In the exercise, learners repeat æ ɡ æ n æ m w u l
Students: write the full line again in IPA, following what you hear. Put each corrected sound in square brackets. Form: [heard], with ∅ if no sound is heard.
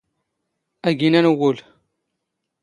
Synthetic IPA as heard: æ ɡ [i] n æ [n] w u l